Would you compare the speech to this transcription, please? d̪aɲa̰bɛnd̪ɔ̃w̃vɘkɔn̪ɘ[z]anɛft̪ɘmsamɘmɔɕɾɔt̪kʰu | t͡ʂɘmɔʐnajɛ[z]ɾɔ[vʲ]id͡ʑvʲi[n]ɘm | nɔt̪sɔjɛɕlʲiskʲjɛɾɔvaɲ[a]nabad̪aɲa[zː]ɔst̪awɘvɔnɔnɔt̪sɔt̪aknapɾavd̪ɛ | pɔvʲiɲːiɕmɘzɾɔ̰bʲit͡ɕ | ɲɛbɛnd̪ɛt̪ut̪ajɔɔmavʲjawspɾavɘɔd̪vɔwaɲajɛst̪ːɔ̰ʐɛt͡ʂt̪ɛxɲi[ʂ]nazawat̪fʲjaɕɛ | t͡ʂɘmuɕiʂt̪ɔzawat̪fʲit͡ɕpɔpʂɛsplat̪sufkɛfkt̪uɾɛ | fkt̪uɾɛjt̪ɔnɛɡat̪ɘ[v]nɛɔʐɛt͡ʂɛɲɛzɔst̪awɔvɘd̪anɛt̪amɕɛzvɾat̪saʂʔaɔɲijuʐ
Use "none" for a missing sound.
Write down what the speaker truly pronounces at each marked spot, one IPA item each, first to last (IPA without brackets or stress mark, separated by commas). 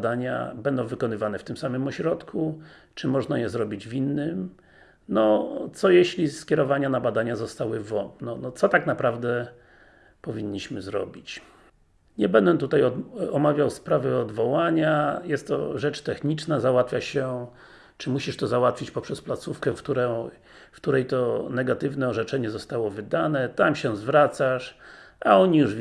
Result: v, z, bʲ, nː, a, z, t͡ʂ, v